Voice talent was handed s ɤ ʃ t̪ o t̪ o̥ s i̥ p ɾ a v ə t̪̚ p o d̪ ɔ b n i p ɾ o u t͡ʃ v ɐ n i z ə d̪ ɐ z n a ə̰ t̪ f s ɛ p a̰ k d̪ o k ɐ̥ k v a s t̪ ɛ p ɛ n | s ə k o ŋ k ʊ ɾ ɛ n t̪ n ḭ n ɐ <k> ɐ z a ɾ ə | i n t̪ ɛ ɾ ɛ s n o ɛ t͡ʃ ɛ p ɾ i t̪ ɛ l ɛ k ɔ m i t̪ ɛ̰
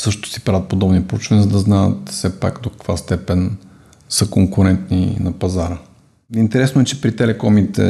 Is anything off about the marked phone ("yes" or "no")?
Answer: yes